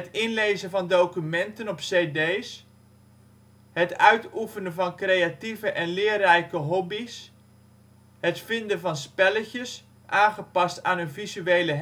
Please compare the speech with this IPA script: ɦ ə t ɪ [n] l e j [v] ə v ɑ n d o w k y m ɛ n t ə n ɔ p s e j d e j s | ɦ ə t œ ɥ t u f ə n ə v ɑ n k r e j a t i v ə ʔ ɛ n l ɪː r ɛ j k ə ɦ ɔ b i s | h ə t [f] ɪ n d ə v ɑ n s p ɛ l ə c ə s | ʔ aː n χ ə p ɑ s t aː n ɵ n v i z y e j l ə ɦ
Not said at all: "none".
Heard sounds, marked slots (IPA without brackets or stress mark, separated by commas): n, z, f